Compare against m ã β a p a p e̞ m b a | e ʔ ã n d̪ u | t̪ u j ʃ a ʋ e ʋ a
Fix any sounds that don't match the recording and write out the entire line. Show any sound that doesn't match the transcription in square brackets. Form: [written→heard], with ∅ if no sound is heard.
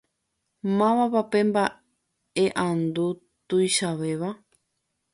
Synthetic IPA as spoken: m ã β a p a p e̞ m b a | e ʔ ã n d̪ u | t̪ u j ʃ a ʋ e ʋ a